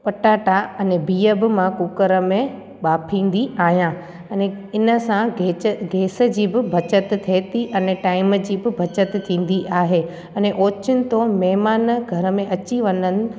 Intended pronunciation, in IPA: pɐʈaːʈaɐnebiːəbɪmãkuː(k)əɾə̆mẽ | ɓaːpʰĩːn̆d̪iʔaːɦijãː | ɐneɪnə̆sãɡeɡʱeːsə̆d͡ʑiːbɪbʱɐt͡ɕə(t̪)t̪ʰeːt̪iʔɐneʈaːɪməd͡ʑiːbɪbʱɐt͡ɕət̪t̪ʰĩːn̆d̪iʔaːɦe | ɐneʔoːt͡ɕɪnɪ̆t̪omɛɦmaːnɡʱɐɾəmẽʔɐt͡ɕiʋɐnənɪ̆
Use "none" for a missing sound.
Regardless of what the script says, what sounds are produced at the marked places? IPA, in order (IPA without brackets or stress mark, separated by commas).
k, t̪